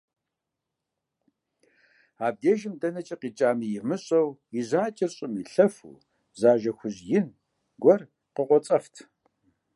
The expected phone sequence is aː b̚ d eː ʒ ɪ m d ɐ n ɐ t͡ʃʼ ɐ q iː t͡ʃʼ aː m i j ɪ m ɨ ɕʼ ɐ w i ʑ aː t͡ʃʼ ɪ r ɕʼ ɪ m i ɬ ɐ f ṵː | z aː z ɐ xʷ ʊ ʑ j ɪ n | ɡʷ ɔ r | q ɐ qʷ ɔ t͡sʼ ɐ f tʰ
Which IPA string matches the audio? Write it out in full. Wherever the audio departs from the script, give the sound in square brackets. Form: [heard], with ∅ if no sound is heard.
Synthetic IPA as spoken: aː b̚ d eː ʒ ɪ m d ɐ n ɐ t͡ʃʼ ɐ q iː t͡ʃʼ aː m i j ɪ m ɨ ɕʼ ɐ w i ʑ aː t͡ʃʼ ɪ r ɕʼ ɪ m i ɬ ɐ f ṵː | z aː [ʒ] ɐ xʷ ʊ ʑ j ɪ n | ɡʷ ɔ r | q [ə] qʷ ɔ t͡sʼ ɐ f tʰ